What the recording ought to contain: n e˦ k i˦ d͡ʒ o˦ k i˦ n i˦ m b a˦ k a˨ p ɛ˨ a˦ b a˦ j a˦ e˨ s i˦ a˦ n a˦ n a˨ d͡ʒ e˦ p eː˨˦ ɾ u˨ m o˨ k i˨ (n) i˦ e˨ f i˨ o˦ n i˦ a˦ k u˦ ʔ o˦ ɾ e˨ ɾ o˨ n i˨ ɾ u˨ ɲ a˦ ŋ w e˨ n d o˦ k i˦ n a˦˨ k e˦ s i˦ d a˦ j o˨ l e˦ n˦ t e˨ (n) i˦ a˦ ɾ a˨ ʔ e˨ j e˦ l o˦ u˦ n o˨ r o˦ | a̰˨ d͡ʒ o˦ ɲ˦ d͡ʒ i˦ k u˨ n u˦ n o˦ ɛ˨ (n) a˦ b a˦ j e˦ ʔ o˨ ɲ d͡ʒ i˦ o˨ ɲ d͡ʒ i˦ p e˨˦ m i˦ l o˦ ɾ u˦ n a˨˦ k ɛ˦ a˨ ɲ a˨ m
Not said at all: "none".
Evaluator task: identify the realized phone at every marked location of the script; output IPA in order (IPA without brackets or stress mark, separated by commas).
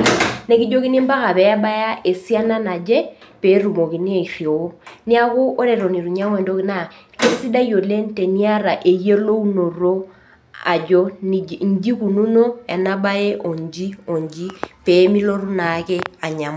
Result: n, n, n